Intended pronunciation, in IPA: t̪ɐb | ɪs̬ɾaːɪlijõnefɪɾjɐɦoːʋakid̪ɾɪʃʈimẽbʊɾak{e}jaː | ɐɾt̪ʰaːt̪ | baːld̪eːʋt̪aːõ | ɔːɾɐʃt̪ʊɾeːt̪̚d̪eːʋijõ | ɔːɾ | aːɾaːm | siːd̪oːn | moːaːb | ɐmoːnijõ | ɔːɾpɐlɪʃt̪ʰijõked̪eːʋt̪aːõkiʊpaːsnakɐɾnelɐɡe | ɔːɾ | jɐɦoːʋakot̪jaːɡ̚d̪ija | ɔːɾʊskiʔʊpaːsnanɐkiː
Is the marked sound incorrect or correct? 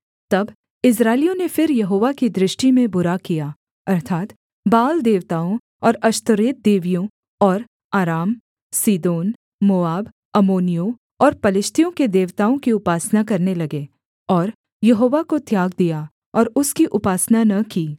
incorrect